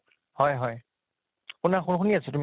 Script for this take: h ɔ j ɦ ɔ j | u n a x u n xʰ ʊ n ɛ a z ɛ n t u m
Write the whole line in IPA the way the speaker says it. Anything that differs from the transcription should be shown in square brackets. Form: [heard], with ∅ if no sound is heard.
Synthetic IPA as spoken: h ɔ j ɦ ɔ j | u n a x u n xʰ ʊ n [i] a [s] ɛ [∅] t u m